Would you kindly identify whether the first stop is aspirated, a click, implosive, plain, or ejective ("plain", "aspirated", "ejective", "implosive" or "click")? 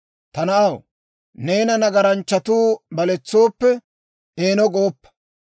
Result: plain